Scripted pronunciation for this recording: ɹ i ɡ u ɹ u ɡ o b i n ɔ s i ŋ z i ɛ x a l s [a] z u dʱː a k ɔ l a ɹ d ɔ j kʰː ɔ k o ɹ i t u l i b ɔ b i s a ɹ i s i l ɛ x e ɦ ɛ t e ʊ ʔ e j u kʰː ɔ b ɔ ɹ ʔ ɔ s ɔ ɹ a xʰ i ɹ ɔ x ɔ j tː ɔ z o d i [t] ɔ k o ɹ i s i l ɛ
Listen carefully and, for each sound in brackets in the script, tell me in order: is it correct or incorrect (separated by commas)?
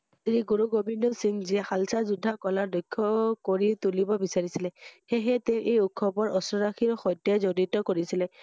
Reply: correct, correct